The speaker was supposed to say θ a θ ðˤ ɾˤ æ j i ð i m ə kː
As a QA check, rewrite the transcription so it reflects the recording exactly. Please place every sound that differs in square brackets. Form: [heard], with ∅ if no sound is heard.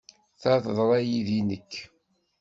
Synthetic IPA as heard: θ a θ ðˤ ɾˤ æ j i ð i [n] ə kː